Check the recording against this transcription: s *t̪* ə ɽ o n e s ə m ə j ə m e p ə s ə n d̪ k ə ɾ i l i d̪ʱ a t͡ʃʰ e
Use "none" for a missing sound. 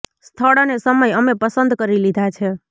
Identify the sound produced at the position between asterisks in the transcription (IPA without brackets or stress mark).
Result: t̪ʰ